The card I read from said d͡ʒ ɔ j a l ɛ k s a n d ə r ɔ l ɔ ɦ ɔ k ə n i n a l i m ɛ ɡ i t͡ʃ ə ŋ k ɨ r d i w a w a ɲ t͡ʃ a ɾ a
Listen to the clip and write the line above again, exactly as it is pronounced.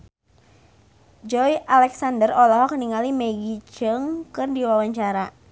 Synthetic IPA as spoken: d͡ʒ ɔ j a l ɛ k s a n d ə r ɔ l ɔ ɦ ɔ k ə n i ŋ a l i m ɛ ɡ i t͡ʃ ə ŋ k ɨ r d i w a w a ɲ t͡ʃ a ɾ a